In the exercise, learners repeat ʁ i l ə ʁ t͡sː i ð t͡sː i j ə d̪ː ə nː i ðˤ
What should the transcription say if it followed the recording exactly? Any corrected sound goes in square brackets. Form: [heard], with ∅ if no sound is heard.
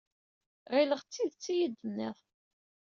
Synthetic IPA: ʁ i l ə ʁ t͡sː i ð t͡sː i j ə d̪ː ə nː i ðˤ